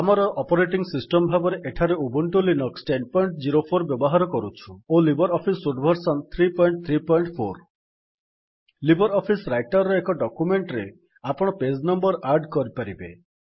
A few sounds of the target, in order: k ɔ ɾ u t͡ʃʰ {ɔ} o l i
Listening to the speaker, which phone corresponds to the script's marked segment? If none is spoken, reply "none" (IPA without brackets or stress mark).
u